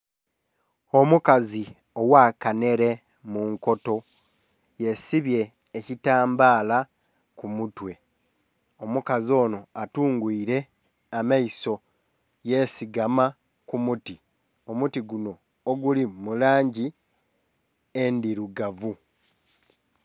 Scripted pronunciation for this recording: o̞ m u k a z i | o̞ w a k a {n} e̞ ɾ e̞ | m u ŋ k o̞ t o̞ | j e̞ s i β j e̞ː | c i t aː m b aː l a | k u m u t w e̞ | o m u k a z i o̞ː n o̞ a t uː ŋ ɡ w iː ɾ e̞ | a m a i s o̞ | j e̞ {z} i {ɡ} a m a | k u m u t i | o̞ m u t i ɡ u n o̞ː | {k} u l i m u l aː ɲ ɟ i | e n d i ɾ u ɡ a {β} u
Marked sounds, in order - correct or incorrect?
correct, incorrect, correct, incorrect, incorrect

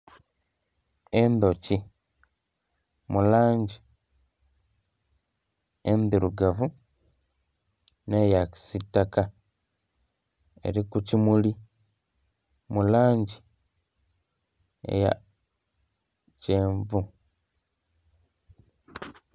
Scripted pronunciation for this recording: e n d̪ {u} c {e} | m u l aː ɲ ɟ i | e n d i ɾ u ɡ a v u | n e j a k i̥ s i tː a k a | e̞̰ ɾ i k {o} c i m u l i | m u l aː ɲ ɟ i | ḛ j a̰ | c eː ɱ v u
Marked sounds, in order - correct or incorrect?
incorrect, incorrect, incorrect

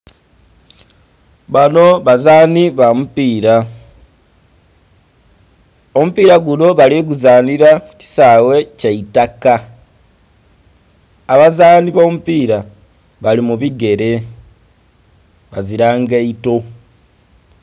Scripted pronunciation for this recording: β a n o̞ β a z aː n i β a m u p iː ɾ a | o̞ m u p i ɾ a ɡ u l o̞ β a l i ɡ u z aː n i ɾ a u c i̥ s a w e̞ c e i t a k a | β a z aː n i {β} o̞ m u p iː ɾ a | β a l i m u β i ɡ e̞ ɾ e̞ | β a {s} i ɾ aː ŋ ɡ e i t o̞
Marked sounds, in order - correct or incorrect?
correct, incorrect

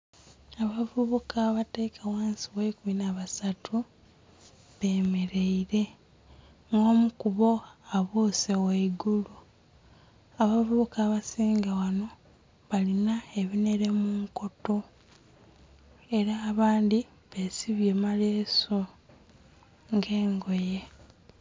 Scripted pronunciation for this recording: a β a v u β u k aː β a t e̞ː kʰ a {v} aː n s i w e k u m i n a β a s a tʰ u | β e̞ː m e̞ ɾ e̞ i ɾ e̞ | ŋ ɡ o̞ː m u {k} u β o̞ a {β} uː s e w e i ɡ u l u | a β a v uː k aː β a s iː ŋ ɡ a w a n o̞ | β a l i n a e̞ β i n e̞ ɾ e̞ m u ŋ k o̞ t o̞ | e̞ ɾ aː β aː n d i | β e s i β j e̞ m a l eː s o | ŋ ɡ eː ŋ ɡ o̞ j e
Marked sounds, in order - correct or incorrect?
incorrect, correct, correct

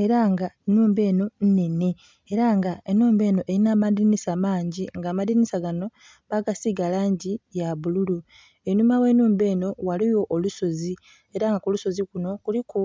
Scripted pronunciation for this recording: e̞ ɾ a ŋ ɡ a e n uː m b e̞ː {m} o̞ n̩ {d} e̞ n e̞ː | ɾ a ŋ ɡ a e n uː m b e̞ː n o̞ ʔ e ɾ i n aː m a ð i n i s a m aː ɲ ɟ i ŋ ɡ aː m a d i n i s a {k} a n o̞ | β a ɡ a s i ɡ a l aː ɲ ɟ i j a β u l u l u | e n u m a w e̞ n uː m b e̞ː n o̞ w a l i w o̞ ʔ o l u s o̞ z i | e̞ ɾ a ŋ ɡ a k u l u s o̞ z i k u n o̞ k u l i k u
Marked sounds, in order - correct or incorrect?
incorrect, incorrect, incorrect

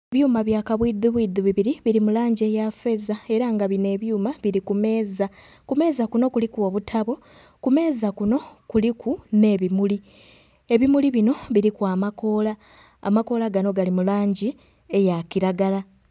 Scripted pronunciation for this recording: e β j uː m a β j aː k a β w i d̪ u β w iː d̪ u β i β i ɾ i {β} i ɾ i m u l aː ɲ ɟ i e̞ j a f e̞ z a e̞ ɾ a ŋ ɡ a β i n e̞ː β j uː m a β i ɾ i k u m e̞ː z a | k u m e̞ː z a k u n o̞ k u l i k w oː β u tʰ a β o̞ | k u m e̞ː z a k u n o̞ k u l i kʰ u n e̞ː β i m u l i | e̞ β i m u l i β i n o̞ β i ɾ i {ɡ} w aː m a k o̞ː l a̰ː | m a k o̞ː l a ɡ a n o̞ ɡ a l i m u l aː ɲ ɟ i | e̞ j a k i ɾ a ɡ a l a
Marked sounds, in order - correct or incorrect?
correct, incorrect

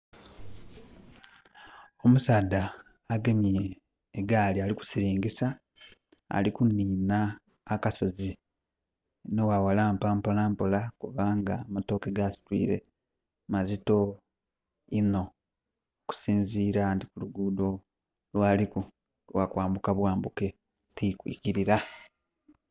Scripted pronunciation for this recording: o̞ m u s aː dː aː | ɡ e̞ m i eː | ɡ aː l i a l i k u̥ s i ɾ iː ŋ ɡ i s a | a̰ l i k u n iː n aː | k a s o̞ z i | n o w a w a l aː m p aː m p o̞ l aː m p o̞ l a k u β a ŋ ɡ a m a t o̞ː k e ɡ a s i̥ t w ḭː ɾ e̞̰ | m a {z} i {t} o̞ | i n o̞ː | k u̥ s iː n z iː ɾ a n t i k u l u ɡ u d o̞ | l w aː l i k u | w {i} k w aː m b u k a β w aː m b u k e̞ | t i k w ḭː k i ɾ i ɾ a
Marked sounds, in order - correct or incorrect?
correct, correct, incorrect

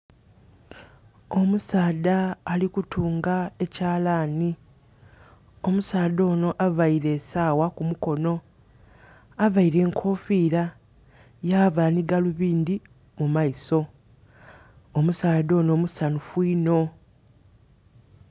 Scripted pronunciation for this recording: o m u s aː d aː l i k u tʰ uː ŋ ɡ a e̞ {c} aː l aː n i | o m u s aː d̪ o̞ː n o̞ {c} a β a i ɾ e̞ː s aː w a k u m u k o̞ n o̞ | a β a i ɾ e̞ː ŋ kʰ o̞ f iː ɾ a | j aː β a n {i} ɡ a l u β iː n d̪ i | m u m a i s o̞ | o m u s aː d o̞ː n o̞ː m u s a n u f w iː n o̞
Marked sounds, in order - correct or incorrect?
correct, incorrect, correct

